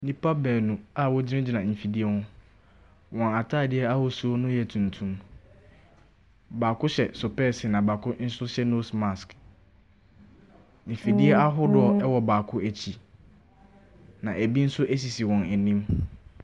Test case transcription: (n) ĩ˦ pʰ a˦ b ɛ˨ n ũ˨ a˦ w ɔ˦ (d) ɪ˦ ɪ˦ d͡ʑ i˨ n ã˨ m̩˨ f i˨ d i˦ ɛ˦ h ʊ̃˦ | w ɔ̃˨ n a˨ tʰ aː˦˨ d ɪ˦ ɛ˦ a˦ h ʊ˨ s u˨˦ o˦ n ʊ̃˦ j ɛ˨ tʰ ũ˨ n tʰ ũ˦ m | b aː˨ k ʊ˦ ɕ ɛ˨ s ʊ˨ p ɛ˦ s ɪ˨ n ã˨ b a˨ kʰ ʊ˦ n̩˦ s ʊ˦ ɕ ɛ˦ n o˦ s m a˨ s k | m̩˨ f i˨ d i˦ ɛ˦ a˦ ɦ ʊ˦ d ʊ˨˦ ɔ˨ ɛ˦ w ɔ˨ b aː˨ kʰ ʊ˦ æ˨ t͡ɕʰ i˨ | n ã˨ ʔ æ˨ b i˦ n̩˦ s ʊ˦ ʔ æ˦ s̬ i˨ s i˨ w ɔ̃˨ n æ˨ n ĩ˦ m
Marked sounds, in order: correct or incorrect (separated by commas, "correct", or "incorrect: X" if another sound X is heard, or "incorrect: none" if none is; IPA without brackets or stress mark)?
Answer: correct, incorrect: d͡ʑ